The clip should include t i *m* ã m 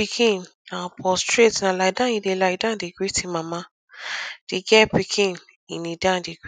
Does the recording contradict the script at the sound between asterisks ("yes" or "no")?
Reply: no